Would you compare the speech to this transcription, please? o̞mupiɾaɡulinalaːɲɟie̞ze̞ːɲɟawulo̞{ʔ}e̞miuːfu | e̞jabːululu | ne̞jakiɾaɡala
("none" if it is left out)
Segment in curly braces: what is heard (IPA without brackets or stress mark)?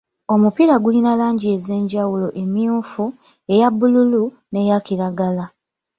ʔ